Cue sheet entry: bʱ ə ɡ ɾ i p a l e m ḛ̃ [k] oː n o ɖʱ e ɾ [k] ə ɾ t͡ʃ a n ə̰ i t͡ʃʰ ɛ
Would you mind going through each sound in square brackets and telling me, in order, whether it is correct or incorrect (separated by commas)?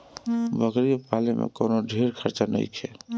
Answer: correct, incorrect